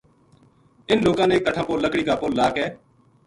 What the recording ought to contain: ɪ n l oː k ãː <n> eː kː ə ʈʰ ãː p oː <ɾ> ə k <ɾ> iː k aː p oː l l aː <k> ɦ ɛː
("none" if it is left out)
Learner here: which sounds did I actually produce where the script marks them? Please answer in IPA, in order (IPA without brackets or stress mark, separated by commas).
n, l, ɽ, k